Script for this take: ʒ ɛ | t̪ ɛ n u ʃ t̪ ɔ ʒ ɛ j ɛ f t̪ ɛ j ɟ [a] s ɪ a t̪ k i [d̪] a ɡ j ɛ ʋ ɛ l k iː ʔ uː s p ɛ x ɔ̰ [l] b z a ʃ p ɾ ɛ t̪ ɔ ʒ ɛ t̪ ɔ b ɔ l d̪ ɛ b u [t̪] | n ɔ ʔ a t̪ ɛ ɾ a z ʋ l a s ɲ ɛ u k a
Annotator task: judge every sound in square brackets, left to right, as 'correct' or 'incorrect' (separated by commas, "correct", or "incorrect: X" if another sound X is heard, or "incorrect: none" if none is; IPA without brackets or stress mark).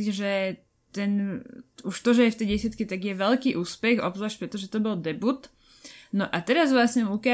incorrect: ɛ, incorrect: t̪, incorrect: none, correct